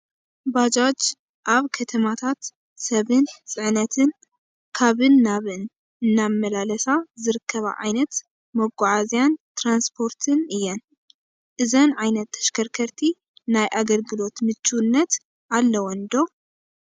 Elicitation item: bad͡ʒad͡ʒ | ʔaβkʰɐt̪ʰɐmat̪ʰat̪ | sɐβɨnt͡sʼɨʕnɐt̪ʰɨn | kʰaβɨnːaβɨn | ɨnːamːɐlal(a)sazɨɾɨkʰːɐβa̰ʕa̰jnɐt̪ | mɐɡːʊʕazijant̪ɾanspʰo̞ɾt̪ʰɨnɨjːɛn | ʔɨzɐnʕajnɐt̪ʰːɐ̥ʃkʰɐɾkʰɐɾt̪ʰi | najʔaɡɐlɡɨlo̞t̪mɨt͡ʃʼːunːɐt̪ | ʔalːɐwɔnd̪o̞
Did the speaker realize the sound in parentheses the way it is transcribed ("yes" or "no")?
no